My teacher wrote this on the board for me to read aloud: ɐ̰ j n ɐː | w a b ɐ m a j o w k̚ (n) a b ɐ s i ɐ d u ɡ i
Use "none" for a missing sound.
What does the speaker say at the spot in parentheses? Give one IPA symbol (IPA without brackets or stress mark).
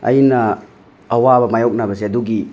n